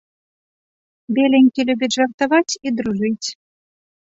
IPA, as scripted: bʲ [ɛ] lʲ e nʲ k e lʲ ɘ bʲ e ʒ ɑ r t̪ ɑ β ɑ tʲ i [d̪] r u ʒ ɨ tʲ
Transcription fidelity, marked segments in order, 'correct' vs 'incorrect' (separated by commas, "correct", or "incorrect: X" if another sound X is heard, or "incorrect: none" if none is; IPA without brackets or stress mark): incorrect: e, correct